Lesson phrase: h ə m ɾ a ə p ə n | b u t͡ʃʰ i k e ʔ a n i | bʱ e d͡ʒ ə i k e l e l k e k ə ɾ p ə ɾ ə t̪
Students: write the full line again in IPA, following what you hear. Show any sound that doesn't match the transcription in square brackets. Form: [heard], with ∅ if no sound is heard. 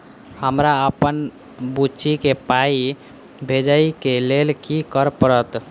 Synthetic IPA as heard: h ə m ɾ a ə p ə n | b u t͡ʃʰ i k e [p] a [∅] i | bʱ e d͡ʒ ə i k e l e l k [i] k ə ɾ p ə ɾ ə t̪